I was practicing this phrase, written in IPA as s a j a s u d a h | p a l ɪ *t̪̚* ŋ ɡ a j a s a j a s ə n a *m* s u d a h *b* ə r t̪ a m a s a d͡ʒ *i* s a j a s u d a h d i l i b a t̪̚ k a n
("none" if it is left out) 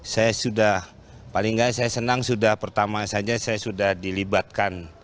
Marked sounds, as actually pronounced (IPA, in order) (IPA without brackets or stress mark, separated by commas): none, ŋ, p, a